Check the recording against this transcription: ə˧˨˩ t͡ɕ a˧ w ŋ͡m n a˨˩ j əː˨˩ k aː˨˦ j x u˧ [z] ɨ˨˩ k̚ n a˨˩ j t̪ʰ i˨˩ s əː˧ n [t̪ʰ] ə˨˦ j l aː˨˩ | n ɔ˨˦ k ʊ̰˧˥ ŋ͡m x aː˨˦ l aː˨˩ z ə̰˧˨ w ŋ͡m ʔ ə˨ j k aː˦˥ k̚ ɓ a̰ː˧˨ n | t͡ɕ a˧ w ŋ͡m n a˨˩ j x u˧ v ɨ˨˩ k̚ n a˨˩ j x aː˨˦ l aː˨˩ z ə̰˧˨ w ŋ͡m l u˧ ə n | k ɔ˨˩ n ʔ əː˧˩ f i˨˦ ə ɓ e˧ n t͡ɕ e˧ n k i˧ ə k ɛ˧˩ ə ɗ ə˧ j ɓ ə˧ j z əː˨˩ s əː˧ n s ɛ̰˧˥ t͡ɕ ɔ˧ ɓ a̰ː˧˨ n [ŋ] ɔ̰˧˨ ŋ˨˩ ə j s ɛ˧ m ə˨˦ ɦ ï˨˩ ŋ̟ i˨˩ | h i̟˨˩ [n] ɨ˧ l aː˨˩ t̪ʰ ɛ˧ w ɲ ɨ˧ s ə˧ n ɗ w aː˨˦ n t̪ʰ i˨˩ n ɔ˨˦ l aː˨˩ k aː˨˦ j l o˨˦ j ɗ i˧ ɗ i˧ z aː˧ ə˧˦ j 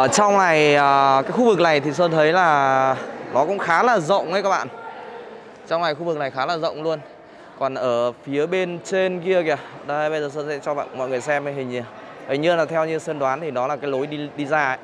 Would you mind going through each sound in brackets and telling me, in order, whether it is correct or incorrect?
incorrect: v, correct, incorrect: m, incorrect: ɲ

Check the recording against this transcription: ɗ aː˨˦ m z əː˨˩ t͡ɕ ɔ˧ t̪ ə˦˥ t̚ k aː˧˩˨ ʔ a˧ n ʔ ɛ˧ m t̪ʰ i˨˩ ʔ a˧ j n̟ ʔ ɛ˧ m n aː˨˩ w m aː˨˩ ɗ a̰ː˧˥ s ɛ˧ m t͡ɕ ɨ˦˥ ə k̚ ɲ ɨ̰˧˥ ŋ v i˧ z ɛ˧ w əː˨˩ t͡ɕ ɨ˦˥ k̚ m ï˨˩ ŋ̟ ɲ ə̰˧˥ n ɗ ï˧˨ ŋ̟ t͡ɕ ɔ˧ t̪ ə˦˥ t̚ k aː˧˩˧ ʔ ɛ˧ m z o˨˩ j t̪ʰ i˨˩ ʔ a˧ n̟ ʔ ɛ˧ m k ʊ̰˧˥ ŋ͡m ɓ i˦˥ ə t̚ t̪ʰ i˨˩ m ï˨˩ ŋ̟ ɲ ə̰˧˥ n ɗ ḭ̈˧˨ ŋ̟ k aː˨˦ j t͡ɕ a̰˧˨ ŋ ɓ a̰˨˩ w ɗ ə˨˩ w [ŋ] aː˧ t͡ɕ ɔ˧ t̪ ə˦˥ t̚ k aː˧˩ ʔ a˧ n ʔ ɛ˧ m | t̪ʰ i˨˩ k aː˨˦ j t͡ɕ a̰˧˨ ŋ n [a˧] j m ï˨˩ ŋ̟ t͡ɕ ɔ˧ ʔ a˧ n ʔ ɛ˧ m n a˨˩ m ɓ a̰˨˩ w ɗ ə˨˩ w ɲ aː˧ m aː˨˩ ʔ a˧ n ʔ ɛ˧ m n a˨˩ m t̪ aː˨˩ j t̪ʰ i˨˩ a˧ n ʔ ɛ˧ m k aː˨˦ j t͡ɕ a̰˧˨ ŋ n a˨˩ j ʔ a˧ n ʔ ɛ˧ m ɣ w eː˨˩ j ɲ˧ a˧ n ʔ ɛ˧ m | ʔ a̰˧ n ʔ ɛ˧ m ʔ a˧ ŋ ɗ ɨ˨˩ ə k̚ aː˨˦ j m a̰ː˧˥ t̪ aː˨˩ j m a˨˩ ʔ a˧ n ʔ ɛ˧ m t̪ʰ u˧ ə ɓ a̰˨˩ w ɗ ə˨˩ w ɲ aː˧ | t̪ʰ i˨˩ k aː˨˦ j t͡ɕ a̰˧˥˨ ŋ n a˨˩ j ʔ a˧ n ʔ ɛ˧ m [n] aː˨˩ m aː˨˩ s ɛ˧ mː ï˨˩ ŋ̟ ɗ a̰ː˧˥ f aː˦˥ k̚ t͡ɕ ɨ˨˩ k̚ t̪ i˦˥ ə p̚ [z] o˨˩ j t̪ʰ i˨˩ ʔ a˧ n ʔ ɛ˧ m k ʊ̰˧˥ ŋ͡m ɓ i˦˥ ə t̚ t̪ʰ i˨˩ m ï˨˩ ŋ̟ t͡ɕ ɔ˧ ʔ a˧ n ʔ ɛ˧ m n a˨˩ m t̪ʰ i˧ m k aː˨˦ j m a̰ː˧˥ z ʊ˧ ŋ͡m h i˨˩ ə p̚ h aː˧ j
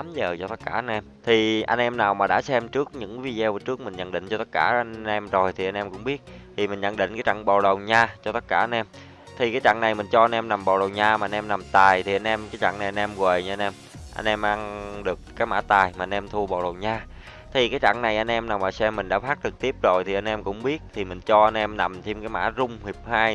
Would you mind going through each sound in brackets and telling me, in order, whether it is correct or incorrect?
incorrect: ɲ, incorrect: a˨˩, correct, correct

